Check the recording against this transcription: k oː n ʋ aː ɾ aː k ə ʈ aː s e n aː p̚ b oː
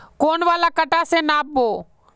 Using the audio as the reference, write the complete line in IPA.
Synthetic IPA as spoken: k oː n ʋ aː l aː k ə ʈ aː s e n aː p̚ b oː